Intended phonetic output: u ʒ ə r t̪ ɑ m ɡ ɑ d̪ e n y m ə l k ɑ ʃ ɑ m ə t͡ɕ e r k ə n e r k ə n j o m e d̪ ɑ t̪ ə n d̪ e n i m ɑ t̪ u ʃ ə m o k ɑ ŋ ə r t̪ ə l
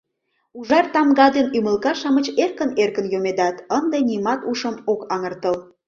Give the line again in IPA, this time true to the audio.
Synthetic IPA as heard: u ʒ ɑ r t̪ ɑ m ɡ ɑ d̪ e n y m ə l k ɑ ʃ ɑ m ə t͡ɕ e r k ə n e r k ə n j o m e d̪ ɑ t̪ ə n d̪ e n i m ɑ t̪ u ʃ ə m o k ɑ ŋ ə r t̪ ə l